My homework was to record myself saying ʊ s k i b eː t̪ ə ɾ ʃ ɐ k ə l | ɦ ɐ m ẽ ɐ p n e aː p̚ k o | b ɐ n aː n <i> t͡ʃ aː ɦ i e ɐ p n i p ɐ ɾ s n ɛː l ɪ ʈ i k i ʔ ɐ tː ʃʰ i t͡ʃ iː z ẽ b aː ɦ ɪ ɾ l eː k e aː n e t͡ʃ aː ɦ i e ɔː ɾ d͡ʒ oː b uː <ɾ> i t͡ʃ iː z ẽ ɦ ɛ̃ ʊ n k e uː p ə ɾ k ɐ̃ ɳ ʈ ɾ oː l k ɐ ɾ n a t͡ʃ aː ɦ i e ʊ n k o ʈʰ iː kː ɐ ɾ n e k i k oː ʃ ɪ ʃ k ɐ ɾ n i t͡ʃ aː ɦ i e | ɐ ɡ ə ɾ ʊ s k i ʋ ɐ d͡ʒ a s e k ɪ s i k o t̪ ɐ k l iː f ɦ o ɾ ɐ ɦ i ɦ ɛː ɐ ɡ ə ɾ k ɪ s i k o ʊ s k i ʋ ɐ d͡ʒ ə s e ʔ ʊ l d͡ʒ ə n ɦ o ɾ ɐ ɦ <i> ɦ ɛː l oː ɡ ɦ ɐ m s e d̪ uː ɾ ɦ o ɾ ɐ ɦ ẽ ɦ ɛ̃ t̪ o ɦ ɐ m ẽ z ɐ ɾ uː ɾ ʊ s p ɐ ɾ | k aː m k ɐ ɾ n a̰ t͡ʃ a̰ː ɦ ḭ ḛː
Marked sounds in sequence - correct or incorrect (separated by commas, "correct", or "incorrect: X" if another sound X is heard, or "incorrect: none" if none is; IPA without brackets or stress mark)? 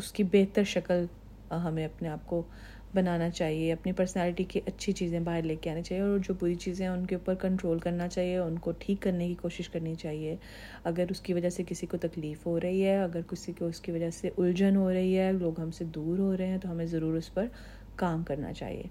incorrect: a, correct, correct